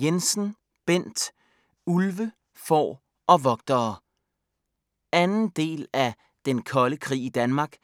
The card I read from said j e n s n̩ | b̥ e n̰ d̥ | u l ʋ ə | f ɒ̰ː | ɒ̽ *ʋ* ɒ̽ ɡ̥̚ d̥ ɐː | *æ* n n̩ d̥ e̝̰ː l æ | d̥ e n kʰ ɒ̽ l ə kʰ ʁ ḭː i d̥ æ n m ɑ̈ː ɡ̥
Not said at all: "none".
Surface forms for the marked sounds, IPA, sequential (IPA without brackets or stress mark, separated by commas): ʋ, æ